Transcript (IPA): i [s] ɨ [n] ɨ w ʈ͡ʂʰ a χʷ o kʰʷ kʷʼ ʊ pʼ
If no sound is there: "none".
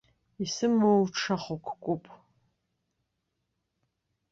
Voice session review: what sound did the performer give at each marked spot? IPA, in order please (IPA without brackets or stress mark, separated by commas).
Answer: s, m